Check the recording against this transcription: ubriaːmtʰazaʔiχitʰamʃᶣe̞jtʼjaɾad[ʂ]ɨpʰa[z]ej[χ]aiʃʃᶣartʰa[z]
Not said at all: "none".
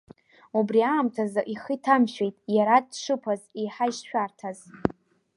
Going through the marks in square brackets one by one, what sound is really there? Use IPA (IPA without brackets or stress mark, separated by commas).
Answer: ʂ, z, ħ, z